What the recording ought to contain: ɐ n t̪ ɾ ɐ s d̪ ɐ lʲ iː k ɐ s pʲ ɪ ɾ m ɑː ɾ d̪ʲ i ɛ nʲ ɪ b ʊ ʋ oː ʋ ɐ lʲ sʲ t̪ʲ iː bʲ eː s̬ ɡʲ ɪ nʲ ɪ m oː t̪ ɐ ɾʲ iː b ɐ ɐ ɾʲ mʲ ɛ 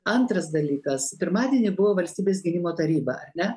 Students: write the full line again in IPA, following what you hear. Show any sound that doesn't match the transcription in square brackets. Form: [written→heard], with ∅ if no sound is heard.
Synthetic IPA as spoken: ɐ n t̪ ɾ ɐ s d̪ ɐ lʲ iː k ɐ s pʲ ɪ ɾ m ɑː [ɾ→∅] d̪ʲ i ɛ nʲ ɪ b ʊ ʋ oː ʋ ɐ lʲ sʲ t̪ʲ iː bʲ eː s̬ ɡʲ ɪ nʲ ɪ m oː t̪ ɐ ɾʲ iː b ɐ ɐ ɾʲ [mʲ→nʲ] ɛ